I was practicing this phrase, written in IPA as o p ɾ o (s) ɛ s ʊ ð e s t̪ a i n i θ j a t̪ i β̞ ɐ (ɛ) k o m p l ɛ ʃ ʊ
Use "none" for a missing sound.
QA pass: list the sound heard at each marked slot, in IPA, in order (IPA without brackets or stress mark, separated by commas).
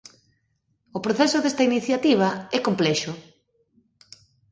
θ, ɛ